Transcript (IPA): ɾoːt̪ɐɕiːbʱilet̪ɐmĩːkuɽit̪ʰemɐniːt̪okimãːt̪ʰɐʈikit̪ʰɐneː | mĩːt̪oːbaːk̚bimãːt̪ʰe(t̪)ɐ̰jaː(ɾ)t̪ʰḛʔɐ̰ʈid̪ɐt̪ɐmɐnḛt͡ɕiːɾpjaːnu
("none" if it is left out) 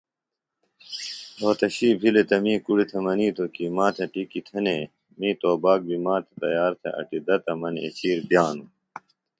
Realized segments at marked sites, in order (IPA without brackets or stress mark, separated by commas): t̪, ɾ